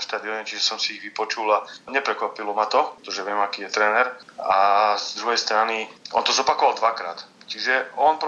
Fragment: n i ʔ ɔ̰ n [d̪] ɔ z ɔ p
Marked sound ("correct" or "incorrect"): incorrect